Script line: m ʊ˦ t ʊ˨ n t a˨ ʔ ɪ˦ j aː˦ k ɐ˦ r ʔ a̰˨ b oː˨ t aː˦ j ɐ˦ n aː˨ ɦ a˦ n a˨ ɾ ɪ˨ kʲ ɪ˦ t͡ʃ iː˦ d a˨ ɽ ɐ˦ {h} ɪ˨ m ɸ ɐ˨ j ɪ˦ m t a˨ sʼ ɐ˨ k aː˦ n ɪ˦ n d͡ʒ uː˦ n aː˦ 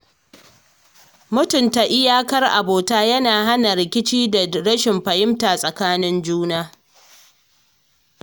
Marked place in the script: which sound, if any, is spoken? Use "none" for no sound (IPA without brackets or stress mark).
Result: ʃ